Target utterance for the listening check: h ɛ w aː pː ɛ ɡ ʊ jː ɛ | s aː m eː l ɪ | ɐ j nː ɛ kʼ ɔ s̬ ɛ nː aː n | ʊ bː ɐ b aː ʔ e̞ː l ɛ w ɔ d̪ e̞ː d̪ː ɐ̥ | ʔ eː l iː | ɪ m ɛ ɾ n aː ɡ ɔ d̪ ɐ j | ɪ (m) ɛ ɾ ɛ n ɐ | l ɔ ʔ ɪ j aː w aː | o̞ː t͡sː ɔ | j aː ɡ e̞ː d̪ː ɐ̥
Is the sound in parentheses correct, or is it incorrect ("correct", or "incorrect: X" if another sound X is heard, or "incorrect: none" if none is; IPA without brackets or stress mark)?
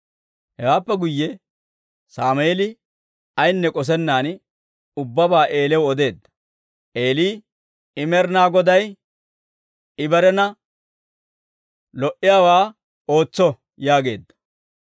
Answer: incorrect: b